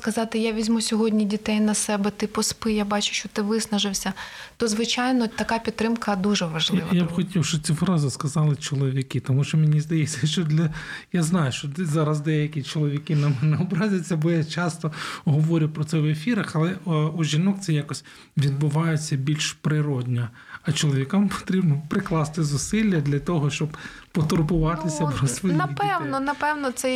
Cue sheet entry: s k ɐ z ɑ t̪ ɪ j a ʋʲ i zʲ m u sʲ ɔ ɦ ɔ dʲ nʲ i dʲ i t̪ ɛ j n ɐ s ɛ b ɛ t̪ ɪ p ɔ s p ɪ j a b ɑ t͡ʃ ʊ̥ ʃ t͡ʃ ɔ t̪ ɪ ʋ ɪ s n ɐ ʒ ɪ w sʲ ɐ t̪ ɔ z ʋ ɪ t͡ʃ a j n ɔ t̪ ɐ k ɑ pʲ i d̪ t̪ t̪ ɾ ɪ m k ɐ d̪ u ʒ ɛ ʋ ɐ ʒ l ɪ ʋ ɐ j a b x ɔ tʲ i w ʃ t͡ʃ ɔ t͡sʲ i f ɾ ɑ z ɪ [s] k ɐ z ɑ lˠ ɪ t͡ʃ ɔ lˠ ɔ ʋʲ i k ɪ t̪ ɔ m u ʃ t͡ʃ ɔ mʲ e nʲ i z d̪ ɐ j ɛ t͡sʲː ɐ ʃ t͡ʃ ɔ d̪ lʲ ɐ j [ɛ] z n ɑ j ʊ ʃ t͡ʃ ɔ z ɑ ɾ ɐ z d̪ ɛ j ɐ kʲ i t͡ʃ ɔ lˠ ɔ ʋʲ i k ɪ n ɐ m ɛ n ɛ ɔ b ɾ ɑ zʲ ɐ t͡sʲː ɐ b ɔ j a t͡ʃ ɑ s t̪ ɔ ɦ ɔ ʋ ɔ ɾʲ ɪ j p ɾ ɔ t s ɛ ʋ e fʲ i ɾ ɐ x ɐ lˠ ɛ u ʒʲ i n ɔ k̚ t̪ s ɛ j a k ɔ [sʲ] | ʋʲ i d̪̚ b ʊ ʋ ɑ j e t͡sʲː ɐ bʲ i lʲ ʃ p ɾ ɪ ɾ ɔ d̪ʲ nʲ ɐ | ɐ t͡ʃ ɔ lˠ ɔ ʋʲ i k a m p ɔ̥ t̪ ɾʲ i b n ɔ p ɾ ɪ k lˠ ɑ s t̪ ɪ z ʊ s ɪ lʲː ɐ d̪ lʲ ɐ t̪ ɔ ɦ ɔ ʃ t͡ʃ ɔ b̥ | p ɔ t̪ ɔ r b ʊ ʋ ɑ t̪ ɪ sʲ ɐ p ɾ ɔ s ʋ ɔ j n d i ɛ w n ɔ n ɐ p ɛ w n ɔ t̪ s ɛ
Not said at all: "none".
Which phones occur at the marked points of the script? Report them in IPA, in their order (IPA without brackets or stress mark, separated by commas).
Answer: s, a, sʲ